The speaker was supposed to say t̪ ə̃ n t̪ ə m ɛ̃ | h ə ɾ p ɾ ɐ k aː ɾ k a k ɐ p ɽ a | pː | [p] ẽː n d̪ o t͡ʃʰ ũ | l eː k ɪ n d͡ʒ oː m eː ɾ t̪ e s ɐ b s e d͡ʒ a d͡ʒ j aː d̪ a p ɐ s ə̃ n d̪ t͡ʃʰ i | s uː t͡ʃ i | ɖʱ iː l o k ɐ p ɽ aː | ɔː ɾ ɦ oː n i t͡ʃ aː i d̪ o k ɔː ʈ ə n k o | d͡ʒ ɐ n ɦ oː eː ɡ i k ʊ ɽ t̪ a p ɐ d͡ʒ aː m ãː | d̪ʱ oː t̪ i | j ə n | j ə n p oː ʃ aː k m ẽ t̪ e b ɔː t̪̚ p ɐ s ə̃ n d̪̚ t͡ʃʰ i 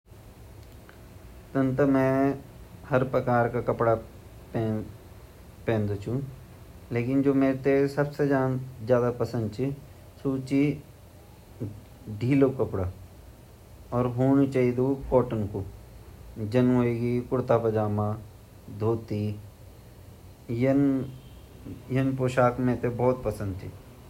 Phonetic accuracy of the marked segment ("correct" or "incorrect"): correct